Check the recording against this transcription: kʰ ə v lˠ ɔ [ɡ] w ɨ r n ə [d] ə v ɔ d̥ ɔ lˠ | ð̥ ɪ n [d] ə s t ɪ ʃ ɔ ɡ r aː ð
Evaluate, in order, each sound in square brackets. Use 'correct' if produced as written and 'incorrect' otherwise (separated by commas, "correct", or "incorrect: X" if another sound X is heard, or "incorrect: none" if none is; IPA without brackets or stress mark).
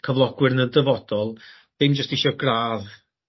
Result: correct, correct, incorrect: d͡ʒ